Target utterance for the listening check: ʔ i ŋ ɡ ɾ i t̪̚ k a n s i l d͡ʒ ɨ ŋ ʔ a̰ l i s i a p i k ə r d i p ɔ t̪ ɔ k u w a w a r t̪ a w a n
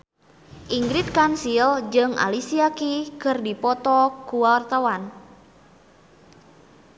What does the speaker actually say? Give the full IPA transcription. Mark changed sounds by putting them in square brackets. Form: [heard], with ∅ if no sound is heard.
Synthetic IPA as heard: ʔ i ŋ ɡ ɾ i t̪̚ k a n s i l d͡ʒ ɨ ŋ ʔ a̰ l i s i a [k] i k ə r d i p ɔ t̪ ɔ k u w a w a r t̪ a w a n

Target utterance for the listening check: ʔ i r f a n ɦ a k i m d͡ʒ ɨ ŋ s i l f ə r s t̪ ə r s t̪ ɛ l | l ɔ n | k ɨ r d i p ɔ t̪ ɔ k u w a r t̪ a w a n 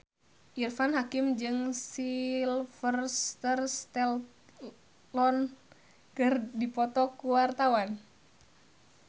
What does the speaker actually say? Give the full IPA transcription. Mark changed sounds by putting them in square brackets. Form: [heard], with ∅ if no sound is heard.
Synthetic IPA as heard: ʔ i r f a n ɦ a k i m d͡ʒ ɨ ŋ s i l f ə r s t̪ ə r s t̪ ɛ l | l ɔ n | k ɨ r d i p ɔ t̪ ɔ k u w a r t̪ a w a n

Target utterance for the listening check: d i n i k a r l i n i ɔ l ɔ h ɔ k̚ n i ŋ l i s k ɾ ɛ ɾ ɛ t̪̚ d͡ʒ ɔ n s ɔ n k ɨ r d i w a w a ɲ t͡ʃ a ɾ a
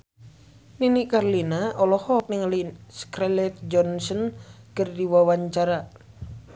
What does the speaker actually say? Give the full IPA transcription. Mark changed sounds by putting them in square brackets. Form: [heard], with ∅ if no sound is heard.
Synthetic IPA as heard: [n] i n i k a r l i n [a] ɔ l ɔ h ɔ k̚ n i ŋ l i s k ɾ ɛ [l] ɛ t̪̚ d͡ʒ ɔ n s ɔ n k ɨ r d i w a w a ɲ t͡ʃ a ɾ a

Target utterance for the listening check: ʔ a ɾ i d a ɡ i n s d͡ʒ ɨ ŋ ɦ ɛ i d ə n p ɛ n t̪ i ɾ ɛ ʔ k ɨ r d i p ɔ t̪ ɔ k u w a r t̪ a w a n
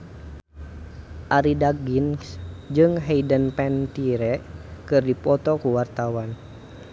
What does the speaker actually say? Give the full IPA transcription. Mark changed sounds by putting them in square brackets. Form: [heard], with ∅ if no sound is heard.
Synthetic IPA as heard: ʔ a ɾ i d a ɡ i n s d͡ʒ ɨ ŋ ɦ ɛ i d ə n p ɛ n t̪ i ɾ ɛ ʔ k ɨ r d i p ɔ t̪ ɔ k u w a r t̪ a w a n

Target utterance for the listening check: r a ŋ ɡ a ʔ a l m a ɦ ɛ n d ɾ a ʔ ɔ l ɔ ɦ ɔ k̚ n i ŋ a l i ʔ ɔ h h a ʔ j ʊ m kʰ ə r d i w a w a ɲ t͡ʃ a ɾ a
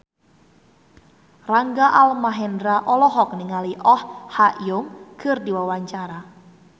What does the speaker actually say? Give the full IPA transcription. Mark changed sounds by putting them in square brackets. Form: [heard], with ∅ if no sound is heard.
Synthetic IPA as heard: r a ŋ ɡ a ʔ a l m a ɦ ɛ n d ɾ a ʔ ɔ l ɔ ɦ ɔ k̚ n i ŋ a l i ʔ ɔ h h a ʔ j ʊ m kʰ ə r d i w a w a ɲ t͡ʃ a ɾ a

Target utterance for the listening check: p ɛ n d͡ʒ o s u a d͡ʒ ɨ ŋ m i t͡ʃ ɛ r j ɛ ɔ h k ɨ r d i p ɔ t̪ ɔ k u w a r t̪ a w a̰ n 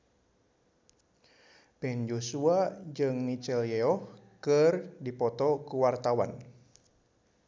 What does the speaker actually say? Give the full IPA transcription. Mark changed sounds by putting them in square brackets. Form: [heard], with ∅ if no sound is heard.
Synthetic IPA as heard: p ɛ n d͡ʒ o s u a d͡ʒ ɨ ŋ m i t͡ʃ ɛ [l] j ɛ ɔ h k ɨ r d i p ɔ t̪ ɔ k u w a r t̪ a w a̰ n

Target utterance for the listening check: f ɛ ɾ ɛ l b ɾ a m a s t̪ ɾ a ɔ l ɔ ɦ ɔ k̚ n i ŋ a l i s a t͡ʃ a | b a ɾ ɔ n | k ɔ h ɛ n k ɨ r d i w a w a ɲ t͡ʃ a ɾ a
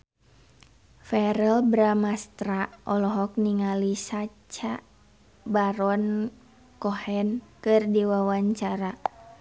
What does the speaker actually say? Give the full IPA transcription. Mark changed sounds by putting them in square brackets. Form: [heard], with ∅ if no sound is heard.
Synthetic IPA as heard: f ɛ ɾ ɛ l b ɾ a m a s t̪ ɾ a ɔ l ɔ ɦ ɔ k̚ n i ŋ a l i s a t͡ʃ a | b a ɾ ɔ n | k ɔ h ɛ n k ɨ r d i w a w a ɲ t͡ʃ a ɾ a

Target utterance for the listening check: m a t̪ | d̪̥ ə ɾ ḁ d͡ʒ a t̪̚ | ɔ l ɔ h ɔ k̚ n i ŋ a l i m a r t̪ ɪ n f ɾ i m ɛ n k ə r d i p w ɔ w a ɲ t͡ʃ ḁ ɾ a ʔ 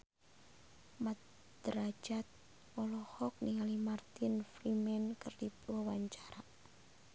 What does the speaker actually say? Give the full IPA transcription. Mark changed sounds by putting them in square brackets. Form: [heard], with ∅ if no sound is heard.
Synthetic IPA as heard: m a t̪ | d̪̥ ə ɾ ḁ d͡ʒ a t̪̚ | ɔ l ɔ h ɔ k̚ n i ŋ a l i m a r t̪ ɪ n f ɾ i m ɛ n k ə r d i p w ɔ w a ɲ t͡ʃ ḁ ɾ a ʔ

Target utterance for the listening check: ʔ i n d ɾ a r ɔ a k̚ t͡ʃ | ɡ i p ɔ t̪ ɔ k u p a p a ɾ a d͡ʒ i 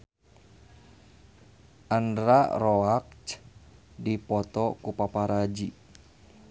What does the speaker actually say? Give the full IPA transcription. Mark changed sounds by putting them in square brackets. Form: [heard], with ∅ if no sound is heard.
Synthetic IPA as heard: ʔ [a] n d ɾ a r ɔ a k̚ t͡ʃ | [d] i p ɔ t̪ ɔ k u p a p a ɾ a d͡ʒ i

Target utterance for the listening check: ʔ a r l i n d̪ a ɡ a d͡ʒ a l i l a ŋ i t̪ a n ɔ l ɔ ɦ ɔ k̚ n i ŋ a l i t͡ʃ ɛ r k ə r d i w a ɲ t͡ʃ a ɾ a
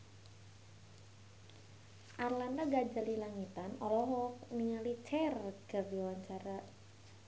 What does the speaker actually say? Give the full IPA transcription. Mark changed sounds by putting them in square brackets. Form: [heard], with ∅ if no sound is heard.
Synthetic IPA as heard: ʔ a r l [a] n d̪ a ɡ a d͡ʒ a l i l a ŋ i t̪ a n ɔ l ɔ ɦ ɔ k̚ n i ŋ a l i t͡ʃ ɛ r k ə r d i w a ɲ t͡ʃ a ɾ a

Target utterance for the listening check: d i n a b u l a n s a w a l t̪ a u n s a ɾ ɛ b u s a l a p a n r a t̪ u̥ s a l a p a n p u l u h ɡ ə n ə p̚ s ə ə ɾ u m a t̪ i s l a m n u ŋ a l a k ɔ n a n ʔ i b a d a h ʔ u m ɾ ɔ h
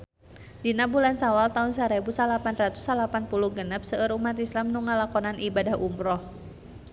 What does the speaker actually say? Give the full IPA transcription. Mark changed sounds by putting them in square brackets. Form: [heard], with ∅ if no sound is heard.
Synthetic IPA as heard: d i n a b u l a n s a w a l t̪ a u n s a ɾ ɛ b u s a l a p a n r a t̪ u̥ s a l a p a n p u l u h ɡ ə n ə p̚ s ə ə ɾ u m a t̪ i s l a m n u ŋ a l a k ɔ n a n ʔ i b a d a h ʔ u m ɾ ɔ h

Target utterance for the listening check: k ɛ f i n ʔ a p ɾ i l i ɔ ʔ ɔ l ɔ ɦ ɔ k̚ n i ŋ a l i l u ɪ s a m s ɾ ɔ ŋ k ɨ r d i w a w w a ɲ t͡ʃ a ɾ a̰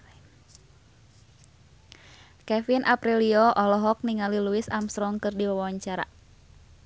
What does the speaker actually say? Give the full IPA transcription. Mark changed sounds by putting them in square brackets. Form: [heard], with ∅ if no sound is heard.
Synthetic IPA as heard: k ɛ f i n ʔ a p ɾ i l i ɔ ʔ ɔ l ɔ ɦ ɔ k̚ n i ŋ a l i l u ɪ s a m s ɾ ɔ ŋ k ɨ r d i w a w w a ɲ t͡ʃ a ɾ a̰

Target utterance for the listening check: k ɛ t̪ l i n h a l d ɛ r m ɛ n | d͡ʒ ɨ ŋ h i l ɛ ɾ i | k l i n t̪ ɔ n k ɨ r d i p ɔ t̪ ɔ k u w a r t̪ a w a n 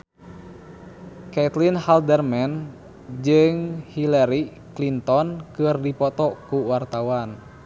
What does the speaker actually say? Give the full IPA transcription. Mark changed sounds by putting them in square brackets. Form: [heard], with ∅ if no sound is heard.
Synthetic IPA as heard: k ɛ t̪ l i n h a l d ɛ r m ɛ n | d͡ʒ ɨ ŋ h i l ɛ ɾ i | k l i n t̪ ɔ n k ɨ r d i p ɔ t̪ ɔ k u w a r t̪ a w a n

